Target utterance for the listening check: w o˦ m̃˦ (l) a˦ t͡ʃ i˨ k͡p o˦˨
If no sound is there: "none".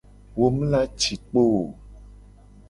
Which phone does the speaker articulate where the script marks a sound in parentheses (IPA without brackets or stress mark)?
l